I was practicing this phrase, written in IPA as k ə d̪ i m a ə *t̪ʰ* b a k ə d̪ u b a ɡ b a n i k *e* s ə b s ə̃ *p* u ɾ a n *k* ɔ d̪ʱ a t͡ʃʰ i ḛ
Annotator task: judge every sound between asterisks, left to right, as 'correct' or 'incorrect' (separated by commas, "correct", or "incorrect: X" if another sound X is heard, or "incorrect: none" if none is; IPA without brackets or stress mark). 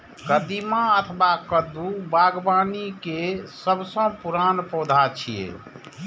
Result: correct, correct, correct, incorrect: p